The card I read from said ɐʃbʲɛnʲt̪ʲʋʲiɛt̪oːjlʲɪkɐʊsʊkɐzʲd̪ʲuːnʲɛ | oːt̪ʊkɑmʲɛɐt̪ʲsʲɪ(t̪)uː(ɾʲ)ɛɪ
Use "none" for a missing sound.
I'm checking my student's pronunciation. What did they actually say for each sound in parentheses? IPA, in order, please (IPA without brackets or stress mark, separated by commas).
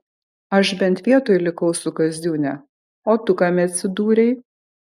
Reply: d̪, ɾʲ